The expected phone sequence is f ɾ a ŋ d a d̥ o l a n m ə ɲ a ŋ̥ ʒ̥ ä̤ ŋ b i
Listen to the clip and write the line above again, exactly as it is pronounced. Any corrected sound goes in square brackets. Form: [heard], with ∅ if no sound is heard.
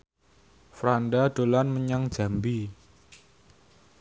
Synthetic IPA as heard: f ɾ a [n] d a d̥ o l a n m ə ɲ a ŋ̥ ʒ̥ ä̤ [m] b i

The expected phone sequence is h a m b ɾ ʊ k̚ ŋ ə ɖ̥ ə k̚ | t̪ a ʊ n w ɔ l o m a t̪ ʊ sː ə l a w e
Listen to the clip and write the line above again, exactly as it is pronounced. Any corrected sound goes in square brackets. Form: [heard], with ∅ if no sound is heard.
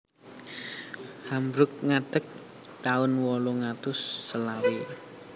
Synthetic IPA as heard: h a m b ɾ ʊ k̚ ŋ [a] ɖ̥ ə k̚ | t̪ a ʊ n w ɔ l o [ŋ] a t̪ ʊ sː ə l a w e

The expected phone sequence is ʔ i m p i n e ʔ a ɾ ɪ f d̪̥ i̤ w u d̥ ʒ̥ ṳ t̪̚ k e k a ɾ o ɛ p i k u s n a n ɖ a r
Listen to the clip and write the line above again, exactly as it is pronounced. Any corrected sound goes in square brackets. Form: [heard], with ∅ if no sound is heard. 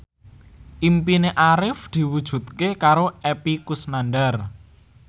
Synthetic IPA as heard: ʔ i m p i n e ʔ a ɾ ɪ f d̪̥ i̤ w u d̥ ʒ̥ ṳ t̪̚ k e k a ɾ o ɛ p i k u s n a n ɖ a r

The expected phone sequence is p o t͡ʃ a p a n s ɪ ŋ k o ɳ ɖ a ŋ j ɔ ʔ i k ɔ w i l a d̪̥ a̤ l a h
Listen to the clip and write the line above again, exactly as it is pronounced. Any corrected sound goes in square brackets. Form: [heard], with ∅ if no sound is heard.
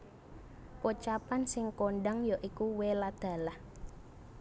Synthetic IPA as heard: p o t͡ʃ a p a n s ɪ ŋ k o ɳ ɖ a ŋ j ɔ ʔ i k [u] w [e] l a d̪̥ a̤ l a h

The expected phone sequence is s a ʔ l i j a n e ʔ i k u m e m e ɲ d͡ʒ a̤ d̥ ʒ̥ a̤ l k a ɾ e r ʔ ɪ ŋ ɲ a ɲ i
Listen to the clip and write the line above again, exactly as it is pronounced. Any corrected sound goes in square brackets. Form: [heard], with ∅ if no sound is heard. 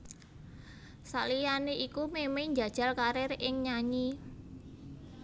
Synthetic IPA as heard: s a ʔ l i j a n e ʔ i k u m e m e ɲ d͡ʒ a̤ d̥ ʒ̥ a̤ l k a ɾ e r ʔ ɪ ŋ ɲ a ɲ i

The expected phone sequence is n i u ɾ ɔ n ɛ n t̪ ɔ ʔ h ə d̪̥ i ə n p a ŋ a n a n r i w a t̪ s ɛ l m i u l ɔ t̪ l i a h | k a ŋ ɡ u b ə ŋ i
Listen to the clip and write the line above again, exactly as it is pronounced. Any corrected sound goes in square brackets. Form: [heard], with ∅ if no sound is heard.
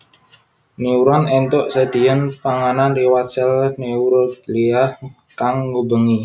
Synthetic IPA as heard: n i u ɾ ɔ n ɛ n t̪ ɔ ʔ [s] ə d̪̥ i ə n p a ŋ a n a n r i w a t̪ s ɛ l [n] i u [ɾ] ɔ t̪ l i a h | k a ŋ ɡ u b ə ŋ i

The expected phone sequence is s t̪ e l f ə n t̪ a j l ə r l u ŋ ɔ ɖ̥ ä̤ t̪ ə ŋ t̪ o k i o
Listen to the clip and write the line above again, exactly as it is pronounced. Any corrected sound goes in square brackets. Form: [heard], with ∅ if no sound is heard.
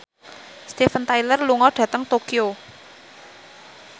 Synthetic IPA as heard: s t̪ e [∅] f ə n t̪ a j l ə r l u ŋ ɔ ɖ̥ ä̤ t̪ ə ŋ t̪ o k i o

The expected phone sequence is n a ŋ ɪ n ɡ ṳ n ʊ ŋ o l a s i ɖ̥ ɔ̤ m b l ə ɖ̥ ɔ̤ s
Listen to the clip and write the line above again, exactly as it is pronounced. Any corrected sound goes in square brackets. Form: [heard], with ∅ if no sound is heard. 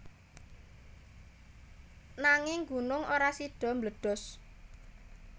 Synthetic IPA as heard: n a ŋ ɪ [ŋ] ɡ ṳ n ʊ ŋ o [ɾ] a s i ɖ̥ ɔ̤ m b l ə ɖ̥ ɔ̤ s

